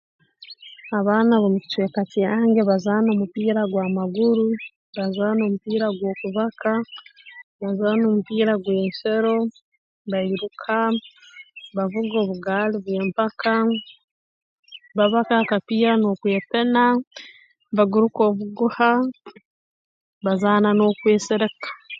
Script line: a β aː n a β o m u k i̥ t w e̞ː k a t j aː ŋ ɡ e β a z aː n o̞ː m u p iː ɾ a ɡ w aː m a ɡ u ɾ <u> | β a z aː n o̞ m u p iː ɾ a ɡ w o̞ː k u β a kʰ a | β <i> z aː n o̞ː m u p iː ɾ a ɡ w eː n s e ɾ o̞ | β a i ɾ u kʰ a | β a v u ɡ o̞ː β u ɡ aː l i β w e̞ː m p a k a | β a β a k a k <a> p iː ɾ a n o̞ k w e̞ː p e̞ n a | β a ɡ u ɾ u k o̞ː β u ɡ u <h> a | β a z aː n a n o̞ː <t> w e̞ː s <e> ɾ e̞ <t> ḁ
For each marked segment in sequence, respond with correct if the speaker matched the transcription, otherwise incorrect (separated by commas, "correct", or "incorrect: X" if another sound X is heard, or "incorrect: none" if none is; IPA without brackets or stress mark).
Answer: correct, incorrect: a, correct, correct, incorrect: k, correct, incorrect: k